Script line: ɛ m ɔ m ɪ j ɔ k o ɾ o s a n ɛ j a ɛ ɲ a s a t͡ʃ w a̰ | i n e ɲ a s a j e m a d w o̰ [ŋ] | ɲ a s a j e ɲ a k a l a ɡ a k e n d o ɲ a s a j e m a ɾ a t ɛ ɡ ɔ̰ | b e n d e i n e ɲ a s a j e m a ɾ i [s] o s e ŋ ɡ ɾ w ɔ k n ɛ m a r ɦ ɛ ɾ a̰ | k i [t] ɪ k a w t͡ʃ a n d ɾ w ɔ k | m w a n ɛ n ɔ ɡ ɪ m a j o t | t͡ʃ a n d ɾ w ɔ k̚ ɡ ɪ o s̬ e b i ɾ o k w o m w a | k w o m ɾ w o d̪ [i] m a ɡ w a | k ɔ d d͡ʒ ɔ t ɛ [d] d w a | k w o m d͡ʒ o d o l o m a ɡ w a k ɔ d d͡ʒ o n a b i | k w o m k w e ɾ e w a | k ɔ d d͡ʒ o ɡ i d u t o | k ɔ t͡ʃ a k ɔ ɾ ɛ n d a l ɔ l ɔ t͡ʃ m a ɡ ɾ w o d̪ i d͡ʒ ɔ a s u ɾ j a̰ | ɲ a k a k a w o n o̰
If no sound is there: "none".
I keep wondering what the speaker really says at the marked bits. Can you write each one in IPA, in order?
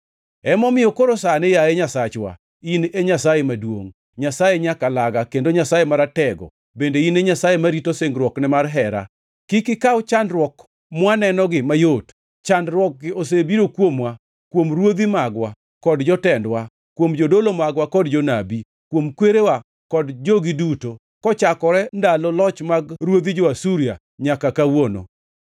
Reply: ŋ, t, k, i, n

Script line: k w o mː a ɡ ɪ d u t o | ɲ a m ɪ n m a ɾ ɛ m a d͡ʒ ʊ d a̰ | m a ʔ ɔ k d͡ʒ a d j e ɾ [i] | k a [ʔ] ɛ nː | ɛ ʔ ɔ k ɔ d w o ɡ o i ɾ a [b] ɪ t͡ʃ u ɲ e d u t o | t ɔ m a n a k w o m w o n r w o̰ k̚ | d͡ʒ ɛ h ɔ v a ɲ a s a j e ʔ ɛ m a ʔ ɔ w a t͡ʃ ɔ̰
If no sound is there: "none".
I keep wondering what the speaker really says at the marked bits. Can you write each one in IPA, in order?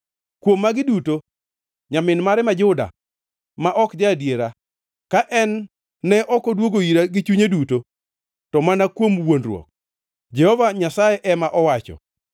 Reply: a, ʔ, ɡ

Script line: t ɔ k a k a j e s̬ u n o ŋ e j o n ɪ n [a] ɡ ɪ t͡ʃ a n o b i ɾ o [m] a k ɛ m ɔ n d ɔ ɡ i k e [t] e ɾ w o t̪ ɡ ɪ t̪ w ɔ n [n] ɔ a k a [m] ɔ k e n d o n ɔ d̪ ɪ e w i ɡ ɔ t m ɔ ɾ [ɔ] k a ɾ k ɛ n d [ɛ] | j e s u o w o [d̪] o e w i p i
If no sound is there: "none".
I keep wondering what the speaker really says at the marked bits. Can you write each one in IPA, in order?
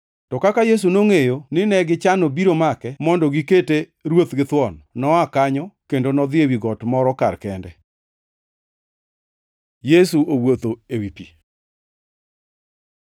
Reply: ɛ, m, t, n, ɲ, ɔ, ɛ, t̪

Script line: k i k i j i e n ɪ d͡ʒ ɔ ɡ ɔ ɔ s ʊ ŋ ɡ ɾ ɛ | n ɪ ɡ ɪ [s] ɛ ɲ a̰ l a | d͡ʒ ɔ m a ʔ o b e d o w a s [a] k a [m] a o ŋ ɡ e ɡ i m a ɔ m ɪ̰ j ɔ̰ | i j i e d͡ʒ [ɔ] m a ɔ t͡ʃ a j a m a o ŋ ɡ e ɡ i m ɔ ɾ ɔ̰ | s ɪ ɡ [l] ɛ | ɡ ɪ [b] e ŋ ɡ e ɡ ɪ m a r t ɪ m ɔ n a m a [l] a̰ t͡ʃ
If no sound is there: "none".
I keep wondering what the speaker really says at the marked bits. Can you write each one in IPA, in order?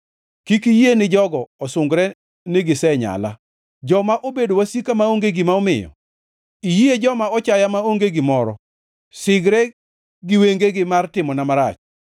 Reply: s, i, m, ɔ, ɾ, w, ɾ

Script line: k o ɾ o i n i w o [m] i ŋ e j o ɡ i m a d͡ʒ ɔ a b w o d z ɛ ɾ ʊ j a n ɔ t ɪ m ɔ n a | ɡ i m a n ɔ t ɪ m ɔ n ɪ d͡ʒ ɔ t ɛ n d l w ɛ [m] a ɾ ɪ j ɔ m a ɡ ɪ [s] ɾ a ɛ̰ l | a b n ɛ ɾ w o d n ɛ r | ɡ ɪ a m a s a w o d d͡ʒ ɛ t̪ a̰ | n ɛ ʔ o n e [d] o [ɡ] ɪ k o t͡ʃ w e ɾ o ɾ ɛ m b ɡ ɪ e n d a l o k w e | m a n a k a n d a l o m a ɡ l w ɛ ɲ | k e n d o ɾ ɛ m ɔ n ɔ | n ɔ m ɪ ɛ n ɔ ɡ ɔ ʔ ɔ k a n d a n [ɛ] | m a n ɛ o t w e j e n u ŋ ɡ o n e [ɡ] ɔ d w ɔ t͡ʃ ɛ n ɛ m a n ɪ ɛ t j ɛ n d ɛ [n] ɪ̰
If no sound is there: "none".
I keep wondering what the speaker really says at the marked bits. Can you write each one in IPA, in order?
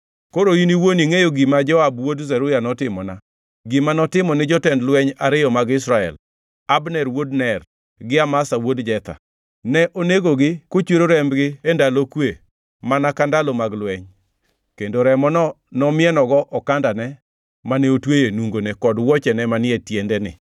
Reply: n, ɲ, s, ɡ, ɡ, ɛ, k, n

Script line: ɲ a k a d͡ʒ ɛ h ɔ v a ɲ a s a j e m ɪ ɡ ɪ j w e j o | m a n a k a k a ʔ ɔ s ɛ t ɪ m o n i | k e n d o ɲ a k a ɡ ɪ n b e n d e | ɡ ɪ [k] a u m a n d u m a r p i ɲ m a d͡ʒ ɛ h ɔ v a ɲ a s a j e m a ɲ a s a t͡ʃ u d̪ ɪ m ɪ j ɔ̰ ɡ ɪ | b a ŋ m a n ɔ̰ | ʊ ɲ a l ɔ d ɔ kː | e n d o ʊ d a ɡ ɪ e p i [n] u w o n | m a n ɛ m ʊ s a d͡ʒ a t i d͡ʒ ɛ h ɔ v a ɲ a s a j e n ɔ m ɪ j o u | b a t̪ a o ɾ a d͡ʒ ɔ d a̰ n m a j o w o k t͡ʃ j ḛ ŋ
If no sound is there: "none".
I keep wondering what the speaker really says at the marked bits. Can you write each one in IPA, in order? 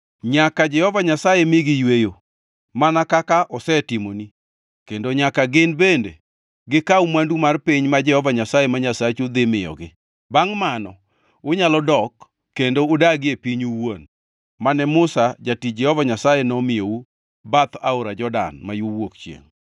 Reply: k, ɲ

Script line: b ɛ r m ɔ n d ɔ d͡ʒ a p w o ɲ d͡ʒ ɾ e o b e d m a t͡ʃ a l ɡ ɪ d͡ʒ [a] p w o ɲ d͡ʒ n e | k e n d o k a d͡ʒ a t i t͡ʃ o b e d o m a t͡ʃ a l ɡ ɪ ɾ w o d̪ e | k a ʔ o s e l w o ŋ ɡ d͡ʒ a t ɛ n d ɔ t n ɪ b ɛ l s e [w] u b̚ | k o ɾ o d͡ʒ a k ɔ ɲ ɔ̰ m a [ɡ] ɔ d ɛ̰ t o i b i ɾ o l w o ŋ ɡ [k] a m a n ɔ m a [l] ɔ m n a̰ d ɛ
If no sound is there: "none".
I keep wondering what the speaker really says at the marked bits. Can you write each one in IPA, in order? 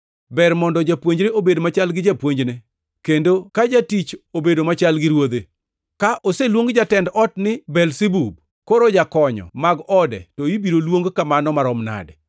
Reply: a, b, ɡ, k, ɾ

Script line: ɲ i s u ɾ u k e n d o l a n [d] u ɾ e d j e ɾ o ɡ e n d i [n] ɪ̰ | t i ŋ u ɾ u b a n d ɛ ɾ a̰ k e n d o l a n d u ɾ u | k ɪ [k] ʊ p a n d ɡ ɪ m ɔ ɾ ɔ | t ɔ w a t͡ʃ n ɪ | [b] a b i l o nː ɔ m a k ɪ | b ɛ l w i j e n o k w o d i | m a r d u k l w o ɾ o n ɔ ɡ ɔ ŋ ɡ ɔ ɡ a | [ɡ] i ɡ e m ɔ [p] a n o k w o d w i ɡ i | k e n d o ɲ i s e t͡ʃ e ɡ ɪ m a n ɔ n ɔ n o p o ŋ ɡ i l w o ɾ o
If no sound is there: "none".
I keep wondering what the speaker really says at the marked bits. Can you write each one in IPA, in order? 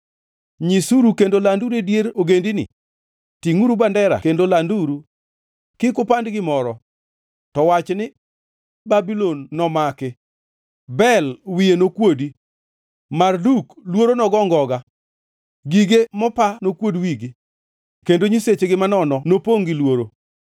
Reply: d, n, k, b, ɡ, p

